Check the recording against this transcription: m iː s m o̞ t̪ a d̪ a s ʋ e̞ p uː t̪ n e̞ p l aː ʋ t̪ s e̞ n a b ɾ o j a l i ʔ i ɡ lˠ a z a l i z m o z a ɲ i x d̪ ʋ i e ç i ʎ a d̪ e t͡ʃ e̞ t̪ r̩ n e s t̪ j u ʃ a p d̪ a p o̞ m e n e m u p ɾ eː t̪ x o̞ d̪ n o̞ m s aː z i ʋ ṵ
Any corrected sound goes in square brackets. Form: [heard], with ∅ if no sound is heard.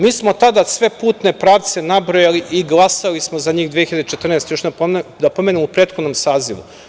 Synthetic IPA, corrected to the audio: m iː s m o̞ t̪ a d̪ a s ʋ e̞ p uː t̪ n e̞ p [ɾ] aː ʋ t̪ s e̞ n a b ɾ o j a l i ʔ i ɡ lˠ a [s] a l i [s] m o z a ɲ [iː] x d̪ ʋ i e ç i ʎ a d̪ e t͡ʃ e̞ t̪ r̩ n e s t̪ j [o] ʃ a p d̪ a p o̞ m e n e m u p ɾ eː t̪ x o̞ d̪ n o̞ m s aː z i ʋ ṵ